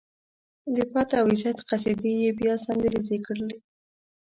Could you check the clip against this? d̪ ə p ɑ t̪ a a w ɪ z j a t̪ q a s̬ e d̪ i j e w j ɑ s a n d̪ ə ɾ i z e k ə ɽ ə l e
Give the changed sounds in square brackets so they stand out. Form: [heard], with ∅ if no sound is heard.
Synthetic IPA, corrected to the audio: d̪ ə p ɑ t̪ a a w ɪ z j a t̪ q a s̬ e d̪ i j e [b] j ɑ s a n d̪ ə ɾ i z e k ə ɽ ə l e